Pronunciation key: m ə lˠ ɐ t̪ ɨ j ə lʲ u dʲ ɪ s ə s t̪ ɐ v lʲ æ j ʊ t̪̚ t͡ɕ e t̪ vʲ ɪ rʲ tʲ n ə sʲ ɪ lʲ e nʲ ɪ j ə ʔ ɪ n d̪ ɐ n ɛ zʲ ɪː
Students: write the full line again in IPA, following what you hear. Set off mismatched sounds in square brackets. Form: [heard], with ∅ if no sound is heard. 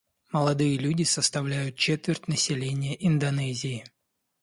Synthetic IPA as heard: m ə lˠ ɐ [d̪] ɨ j ə lʲ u dʲ ɪ s ə s t̪ ɐ v lʲ æ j ʊ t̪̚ t͡ɕ e t̪ vʲ ɪ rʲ tʲ n ə sʲ ɪ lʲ e nʲ ɪ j ə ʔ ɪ n d̪ ɐ n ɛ zʲ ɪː